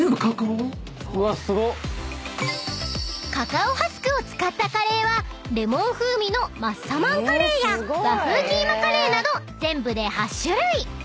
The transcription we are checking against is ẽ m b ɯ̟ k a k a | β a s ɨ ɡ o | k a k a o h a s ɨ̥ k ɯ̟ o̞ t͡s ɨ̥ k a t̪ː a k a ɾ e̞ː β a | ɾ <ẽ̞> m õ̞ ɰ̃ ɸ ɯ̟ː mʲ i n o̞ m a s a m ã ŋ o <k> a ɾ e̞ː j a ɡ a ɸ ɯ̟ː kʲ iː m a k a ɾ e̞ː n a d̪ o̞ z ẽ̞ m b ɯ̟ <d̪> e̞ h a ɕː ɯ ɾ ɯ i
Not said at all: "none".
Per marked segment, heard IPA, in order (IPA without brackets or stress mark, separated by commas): e̞, k, d̪